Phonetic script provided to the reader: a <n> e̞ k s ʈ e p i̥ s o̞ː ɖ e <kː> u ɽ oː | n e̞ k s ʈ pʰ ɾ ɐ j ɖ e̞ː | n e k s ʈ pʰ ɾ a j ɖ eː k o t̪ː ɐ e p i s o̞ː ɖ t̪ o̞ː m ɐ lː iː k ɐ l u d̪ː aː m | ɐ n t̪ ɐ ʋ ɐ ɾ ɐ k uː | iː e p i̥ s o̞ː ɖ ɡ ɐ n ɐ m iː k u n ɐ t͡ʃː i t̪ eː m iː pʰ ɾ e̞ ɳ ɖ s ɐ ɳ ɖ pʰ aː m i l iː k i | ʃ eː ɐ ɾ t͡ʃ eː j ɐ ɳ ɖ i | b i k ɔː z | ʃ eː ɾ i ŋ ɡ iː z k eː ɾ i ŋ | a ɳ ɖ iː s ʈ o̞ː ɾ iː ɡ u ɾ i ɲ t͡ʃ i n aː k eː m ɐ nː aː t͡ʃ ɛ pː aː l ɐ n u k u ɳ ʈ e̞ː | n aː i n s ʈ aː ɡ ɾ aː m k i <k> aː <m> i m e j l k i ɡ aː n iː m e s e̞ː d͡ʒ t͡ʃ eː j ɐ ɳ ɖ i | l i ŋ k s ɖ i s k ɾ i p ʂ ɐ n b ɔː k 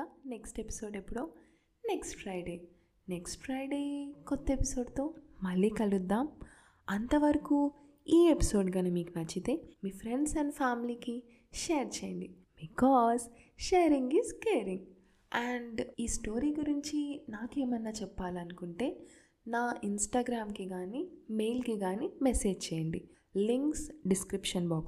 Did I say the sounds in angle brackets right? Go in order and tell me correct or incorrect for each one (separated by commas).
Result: correct, incorrect, incorrect, incorrect